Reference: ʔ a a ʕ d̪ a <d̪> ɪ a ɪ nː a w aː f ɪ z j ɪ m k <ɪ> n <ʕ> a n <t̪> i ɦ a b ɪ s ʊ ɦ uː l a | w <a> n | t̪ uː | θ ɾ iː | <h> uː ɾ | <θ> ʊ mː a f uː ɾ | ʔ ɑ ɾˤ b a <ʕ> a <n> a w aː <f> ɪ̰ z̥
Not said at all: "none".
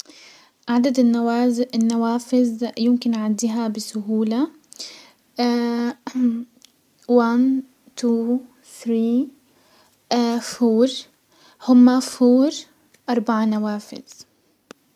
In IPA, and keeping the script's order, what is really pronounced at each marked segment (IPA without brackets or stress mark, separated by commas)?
d̪, ɪ, ʕ, d̪, a, f, h, ʕ, n, f